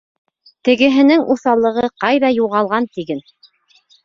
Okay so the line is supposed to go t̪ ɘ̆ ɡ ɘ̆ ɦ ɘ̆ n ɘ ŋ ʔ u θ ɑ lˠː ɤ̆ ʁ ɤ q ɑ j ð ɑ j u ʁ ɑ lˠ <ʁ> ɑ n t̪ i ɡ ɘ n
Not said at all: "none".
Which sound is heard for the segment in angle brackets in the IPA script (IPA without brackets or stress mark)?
ʁ